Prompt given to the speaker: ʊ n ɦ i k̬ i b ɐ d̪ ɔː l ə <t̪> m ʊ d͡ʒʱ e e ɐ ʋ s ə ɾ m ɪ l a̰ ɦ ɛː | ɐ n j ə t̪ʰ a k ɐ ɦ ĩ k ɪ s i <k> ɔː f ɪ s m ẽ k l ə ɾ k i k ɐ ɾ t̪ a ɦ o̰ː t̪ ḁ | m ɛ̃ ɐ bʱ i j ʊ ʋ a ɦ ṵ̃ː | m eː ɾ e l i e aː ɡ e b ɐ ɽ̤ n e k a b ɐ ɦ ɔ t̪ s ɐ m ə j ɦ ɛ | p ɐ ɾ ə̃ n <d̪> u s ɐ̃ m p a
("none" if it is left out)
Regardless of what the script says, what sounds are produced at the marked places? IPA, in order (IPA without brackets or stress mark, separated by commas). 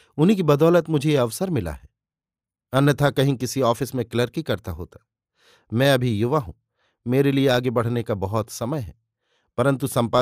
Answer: t̪, none, t̪